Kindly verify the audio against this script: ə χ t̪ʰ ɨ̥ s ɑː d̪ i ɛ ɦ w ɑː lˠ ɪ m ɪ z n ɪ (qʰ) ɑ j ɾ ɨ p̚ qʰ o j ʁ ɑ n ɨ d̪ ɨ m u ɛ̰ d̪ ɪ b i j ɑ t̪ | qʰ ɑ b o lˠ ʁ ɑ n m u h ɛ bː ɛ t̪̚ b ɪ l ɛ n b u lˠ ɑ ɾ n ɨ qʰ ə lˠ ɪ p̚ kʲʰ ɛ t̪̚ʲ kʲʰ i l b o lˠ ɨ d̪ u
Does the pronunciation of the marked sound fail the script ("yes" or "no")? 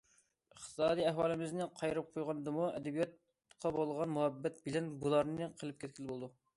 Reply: no